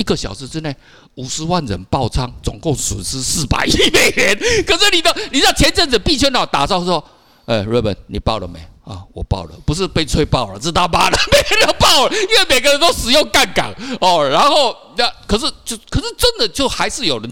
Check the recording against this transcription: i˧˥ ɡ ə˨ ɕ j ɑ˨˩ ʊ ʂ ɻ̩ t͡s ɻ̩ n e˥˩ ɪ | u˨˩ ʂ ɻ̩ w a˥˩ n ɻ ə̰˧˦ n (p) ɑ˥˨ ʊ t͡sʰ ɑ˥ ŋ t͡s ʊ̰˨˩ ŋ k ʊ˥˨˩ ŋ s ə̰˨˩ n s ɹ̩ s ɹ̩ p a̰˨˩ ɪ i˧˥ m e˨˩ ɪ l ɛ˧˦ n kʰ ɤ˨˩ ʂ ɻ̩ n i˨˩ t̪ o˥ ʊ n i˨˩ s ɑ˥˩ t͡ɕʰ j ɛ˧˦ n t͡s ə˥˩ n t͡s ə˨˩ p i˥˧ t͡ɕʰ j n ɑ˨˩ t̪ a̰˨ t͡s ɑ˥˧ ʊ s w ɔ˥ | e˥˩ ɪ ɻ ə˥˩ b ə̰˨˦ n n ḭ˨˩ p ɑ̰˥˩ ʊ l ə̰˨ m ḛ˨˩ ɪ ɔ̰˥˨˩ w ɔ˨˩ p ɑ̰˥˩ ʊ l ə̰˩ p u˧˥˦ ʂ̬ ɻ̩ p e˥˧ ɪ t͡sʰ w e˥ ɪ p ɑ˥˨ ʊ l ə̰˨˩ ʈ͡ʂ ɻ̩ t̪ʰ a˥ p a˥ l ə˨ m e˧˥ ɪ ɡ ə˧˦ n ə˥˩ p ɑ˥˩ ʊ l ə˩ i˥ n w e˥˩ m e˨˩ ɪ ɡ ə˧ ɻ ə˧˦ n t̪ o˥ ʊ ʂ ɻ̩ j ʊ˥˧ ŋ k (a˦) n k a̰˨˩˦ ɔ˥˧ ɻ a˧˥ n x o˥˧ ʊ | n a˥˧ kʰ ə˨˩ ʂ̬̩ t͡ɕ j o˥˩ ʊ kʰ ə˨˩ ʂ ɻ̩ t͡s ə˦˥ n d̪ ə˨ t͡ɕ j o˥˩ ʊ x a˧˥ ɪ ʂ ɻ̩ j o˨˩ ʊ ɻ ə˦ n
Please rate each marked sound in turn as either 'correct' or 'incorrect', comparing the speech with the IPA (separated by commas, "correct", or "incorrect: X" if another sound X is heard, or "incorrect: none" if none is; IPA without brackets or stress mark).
correct, incorrect: a˥˩